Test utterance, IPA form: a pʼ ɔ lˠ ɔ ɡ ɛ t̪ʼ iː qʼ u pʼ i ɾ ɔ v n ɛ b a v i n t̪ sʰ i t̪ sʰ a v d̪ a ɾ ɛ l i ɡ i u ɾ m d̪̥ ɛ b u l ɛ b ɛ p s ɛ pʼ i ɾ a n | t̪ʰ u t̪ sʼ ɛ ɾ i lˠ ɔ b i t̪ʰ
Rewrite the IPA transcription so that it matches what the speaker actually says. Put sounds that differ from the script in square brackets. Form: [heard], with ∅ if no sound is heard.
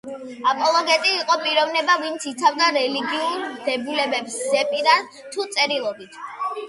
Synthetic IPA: a pʼ ɔ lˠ ɔ ɡ ɛ t̪ʼ iː qʼ [ɔ] pʼ i ɾ ɔ v n ɛ b a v i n t̪ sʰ i t̪ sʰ a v d̪ a ɾ ɛ l i ɡ i u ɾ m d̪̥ ɛ b u l ɛ b ɛ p s ɛ pʼ i ɾ a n | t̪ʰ u t̪ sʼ ɛ ɾ i lˠ ɔ b i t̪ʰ